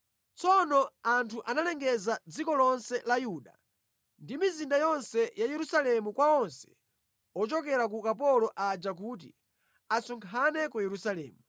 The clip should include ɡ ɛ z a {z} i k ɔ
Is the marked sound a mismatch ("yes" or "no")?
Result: yes